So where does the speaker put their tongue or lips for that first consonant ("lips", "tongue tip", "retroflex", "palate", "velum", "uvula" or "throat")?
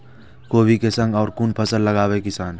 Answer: velum